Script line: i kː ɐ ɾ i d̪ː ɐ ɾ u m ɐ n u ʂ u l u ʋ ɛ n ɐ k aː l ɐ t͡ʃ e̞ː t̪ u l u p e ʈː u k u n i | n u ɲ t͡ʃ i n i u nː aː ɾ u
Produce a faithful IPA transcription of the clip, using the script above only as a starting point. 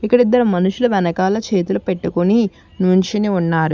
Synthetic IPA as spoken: i kː ɐ ɽ i d̪ː ɐ ɾ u m ɐ n u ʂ u l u ʋ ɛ n ɐ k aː l ɐ t͡ʃ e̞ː t̪ u l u p e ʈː u k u n i | n u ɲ t͡ʃ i n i u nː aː ɾ u